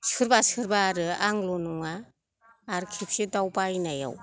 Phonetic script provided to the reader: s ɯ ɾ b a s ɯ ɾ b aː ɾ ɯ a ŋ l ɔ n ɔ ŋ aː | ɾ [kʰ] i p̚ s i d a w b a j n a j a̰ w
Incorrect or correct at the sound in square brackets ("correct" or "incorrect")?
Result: correct